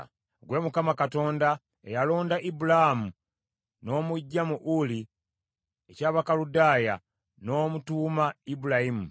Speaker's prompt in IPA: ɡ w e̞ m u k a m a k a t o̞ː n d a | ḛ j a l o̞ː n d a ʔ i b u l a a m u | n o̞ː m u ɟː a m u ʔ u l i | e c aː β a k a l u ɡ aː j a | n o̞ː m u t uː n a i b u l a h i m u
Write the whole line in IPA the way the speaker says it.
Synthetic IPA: ɡ w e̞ m u k a m a k a t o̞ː n d a | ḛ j a l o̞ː n d a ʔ i b u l a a m u | n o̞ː m u ɟː a m u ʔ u l i | e c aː β a k a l u d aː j a | n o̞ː m u t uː m a i b u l a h i m u